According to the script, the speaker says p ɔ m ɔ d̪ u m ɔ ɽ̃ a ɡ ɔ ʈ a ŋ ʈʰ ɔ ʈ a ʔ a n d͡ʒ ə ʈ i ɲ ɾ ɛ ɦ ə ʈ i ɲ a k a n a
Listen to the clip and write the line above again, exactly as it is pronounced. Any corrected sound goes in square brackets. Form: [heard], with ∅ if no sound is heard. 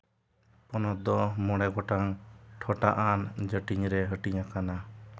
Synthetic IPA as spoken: p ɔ [n] ɔ d̪ [ɔ] m ɔ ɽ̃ [ɛ] ɡ ɔ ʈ a ŋ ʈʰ ɔ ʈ a ʔ a n d͡ʒ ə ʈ i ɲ ɾ ɛ ɦ ə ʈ i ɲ a k a n a